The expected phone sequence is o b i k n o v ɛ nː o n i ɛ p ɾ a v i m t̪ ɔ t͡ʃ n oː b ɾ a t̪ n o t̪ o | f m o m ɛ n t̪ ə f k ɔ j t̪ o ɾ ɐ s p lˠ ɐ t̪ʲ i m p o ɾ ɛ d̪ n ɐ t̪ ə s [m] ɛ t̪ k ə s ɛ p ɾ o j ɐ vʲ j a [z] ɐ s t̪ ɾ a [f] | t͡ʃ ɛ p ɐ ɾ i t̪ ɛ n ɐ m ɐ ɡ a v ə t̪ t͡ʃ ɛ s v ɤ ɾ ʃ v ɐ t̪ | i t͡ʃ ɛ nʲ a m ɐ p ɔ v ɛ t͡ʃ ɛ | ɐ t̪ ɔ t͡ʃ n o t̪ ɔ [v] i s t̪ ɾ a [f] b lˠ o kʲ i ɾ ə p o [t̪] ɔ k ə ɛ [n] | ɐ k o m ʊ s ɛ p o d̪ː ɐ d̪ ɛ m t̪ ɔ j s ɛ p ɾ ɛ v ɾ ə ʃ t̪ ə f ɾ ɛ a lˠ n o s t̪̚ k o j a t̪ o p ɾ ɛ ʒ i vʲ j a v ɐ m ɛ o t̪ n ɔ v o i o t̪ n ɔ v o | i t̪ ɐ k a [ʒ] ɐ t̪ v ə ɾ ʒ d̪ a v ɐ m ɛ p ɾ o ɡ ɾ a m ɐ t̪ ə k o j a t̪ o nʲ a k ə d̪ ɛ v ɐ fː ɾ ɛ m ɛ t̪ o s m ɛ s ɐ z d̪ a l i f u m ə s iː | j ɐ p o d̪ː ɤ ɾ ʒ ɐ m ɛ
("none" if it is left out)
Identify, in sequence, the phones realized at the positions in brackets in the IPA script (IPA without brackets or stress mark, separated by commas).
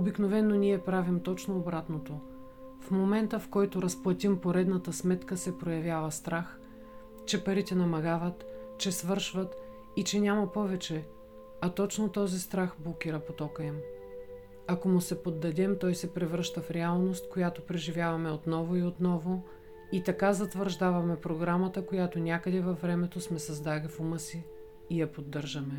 m, v, x, z, x, t̪, m, z